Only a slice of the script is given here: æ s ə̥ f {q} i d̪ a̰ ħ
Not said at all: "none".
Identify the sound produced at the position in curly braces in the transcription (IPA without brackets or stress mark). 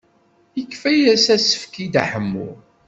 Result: k